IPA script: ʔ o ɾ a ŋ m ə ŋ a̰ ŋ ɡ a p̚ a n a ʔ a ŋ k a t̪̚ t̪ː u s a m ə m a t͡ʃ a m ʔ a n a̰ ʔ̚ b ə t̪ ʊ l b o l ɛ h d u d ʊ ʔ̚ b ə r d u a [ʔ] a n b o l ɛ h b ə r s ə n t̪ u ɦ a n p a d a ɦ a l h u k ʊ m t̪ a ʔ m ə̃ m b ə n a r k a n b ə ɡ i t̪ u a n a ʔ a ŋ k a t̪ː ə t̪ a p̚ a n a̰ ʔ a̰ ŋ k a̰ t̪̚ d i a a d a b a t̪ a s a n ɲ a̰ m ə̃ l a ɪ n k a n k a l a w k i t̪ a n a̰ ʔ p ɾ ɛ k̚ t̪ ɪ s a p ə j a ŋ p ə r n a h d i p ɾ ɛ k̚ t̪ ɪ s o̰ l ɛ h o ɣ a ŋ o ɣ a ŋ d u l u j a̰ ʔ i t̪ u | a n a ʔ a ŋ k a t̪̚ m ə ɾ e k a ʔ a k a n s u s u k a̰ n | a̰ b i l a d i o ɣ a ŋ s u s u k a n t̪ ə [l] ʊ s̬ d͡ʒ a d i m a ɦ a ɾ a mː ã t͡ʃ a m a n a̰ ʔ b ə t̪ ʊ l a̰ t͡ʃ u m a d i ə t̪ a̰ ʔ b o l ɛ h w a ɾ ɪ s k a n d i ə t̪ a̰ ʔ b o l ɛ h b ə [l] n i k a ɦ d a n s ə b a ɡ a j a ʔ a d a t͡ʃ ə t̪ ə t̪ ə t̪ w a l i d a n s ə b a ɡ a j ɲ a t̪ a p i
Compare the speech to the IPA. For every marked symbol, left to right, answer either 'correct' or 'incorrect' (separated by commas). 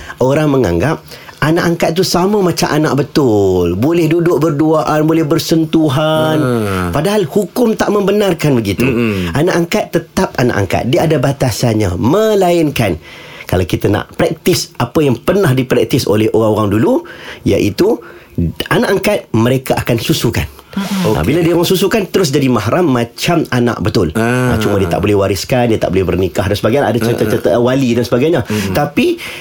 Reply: correct, incorrect, incorrect